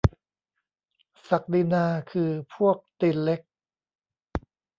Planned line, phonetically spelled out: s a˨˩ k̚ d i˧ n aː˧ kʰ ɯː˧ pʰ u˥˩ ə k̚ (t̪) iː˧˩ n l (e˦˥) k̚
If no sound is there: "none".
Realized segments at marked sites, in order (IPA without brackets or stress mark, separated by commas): t̪, e˦˥